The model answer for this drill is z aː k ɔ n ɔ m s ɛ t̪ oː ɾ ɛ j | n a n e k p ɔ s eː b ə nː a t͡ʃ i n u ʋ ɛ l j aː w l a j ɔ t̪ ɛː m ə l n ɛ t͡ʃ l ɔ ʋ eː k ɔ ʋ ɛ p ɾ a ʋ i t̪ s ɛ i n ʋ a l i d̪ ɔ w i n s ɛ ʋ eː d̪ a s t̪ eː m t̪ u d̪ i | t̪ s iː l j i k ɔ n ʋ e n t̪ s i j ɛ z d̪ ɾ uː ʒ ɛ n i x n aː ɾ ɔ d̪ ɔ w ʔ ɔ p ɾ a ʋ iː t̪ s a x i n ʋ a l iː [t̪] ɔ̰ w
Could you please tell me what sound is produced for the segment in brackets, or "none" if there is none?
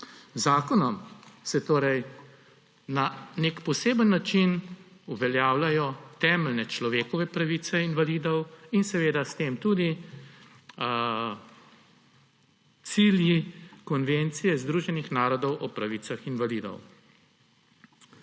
d̪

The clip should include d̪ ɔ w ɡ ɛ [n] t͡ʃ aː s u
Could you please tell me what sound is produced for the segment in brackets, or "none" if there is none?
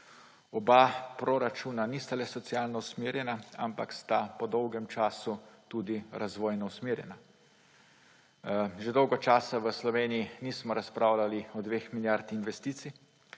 m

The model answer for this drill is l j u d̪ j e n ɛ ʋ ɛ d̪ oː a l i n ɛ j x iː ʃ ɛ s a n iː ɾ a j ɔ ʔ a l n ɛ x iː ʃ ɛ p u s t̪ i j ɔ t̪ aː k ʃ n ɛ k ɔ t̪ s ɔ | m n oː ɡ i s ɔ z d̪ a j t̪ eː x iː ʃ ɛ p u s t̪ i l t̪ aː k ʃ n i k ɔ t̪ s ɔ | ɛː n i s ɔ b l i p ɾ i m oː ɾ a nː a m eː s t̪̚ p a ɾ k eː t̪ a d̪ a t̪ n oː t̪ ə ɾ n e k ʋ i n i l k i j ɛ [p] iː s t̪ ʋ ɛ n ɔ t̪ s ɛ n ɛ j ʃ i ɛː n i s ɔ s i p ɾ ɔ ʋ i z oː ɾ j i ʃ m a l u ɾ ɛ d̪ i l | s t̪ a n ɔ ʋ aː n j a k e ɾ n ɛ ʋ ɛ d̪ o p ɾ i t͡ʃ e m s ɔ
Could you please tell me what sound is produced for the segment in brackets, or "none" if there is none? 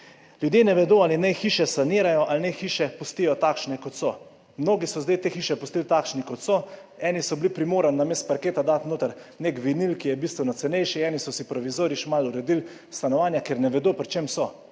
b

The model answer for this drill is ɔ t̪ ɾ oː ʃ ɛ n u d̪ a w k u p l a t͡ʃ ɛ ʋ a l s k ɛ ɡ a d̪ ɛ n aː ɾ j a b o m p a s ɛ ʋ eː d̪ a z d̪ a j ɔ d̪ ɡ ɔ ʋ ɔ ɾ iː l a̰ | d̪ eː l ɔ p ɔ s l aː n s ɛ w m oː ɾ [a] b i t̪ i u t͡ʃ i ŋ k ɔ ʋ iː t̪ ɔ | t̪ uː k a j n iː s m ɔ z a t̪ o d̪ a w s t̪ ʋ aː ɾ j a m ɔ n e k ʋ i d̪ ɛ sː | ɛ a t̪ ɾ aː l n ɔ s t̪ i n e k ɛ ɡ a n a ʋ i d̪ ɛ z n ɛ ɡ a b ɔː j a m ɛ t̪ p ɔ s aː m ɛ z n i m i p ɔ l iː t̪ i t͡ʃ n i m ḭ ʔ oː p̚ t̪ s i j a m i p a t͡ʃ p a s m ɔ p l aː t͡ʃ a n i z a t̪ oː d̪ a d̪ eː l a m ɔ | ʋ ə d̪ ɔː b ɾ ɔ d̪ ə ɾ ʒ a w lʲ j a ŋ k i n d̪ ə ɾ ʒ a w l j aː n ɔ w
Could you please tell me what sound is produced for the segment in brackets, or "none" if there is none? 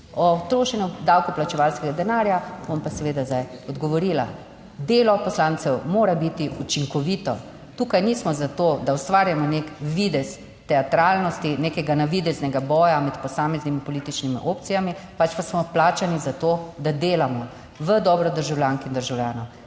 a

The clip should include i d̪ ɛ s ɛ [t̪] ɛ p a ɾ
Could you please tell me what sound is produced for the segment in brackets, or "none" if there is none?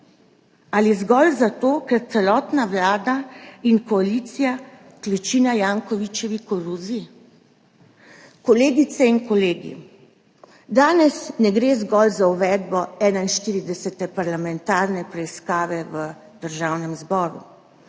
t̪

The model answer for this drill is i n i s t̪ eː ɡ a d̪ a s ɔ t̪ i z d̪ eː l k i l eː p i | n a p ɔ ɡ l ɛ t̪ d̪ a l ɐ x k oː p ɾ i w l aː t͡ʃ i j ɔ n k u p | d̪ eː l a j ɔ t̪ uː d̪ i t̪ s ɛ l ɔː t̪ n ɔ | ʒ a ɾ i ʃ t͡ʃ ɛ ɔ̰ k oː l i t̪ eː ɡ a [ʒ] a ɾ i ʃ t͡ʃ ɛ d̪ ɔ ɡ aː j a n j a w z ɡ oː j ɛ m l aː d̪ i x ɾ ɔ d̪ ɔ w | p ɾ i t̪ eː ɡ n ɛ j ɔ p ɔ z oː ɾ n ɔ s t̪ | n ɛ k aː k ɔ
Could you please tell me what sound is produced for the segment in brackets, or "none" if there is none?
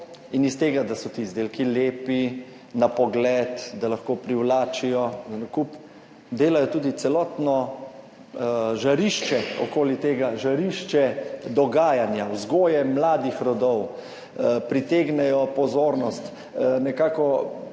ʒ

